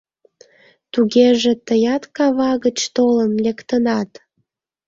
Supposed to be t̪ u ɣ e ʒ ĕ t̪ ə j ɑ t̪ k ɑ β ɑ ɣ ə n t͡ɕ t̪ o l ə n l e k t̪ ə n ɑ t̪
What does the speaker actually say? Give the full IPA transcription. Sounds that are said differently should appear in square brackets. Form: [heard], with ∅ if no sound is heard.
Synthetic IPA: t̪ u ɣ e ʒ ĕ t̪ ə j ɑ t̪ k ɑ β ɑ ɣ ə [∅] t͡ɕ t̪ o l ə n l e k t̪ ə n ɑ t̪